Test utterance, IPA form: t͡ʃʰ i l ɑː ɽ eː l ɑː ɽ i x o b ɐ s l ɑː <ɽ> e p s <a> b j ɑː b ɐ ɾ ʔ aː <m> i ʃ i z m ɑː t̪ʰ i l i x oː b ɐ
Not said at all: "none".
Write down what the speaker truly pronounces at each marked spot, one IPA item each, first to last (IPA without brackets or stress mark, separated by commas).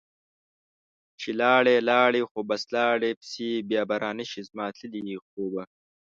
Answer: ɽ, i, n